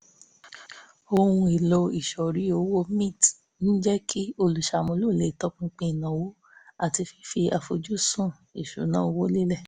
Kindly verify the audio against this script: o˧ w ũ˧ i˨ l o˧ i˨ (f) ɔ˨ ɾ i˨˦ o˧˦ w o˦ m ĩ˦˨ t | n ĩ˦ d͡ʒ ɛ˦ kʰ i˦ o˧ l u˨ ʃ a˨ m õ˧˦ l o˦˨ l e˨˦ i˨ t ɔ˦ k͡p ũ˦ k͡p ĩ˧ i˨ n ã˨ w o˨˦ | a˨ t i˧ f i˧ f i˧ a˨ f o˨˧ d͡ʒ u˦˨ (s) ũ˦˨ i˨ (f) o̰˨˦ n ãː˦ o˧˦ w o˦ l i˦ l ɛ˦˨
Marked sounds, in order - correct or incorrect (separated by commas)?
incorrect, correct, incorrect